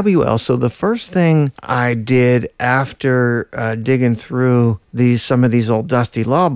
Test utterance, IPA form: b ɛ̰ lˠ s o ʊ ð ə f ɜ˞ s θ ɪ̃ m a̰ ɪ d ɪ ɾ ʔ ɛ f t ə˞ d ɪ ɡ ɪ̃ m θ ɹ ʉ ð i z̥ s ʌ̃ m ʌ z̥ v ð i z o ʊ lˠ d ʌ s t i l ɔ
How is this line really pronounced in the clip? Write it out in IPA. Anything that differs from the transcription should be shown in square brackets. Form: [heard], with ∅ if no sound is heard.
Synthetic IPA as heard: b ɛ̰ lˠ s o ʊ ð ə f ɜ˞ s θ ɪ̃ [ŋ] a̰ ɪ d ɪ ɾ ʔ [æ] f t ə˞ d ɪ ɡ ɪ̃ [ŋ] θ ɹ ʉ ð i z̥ s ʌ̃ m ʌ [∅] v ð i z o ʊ lˠ d ʌ s t i l ɔ